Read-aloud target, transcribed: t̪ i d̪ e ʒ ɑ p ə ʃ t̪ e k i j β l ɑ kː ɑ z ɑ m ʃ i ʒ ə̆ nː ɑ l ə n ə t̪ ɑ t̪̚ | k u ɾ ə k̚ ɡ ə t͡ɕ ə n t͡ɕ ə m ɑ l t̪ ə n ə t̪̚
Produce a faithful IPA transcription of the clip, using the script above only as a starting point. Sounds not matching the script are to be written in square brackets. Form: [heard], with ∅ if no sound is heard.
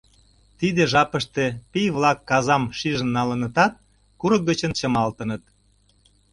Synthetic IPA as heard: t̪ i d̪ e ʒ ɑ p ə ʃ t̪ e [p] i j β l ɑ kː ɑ z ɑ m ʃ i ʒ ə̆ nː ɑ l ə n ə t̪ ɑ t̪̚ | k u ɾ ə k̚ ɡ ə t͡ɕ ə n t͡ɕ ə m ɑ l t̪ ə n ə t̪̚